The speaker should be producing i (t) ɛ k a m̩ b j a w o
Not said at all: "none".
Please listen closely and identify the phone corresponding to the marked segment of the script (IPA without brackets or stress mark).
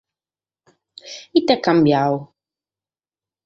t